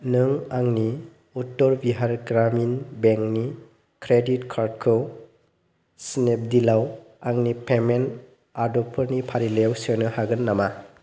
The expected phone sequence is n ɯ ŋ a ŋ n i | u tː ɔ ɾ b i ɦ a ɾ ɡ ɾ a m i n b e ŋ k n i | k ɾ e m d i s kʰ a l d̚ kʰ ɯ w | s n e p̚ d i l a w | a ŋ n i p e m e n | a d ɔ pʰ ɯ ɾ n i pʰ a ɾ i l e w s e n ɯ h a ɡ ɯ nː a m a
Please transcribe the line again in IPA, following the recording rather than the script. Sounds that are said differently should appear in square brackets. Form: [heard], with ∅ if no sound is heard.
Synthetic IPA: n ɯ ŋ a ŋ n i | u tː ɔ ɾ b i ɦ a ɾ ɡ ɾ a m i n b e ŋ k n i | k ɾ e [∅] d i [t] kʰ a [ɾ] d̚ kʰ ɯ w | s n e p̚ d i l a w | a ŋ n i p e m e n | a d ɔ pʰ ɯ ɾ n i pʰ a ɾ i l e w s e n ɯ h a ɡ ɯ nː a m a